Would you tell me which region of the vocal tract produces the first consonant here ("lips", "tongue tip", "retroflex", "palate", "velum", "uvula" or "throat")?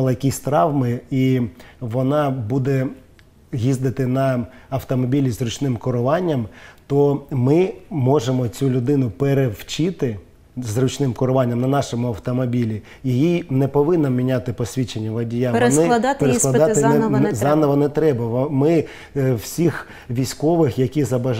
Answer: tongue tip